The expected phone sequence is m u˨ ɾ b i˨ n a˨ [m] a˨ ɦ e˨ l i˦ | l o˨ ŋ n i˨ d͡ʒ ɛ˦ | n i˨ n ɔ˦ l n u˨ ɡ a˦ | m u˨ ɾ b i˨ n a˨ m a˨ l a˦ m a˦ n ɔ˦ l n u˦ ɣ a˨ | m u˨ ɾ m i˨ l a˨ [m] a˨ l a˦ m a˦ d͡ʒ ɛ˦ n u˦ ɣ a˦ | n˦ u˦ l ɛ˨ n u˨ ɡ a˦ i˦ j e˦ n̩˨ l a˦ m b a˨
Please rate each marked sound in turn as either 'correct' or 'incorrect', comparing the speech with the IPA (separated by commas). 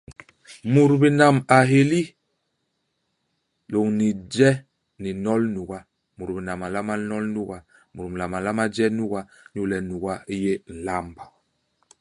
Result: correct, correct